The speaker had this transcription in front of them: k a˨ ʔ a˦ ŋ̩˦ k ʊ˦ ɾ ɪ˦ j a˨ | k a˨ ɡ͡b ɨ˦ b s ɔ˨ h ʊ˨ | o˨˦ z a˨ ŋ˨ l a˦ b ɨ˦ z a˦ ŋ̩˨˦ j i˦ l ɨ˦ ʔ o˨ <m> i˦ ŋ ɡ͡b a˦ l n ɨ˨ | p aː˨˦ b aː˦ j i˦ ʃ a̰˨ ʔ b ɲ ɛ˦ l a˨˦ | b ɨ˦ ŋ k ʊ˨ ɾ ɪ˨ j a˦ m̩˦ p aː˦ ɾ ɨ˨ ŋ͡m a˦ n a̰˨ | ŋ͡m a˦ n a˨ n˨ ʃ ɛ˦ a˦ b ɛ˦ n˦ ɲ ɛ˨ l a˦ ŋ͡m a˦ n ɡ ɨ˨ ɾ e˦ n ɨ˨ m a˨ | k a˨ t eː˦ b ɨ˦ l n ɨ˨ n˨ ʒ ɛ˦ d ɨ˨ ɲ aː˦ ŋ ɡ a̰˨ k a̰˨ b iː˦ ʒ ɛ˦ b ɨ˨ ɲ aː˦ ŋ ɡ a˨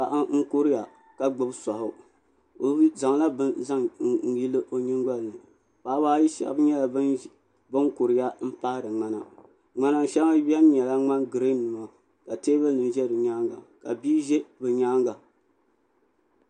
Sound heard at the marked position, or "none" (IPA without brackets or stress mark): ɲ